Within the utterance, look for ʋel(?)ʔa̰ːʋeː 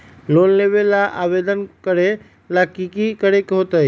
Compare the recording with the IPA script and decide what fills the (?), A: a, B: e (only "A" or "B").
A